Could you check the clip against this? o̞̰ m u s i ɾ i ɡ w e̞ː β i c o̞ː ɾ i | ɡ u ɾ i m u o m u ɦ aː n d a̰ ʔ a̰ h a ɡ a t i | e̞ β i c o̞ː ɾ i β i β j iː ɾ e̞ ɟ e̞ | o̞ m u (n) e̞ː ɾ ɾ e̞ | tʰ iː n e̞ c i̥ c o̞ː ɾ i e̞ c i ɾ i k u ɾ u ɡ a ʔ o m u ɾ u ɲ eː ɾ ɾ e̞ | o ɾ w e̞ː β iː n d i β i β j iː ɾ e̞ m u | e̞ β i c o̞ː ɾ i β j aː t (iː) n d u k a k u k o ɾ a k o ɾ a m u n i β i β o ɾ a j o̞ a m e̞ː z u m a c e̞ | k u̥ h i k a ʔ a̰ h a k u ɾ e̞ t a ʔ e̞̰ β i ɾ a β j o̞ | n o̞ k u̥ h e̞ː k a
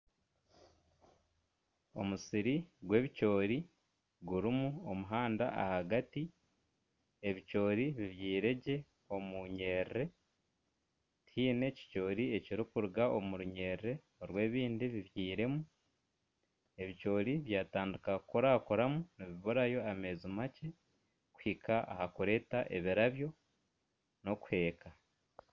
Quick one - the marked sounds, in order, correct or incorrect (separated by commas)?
incorrect, incorrect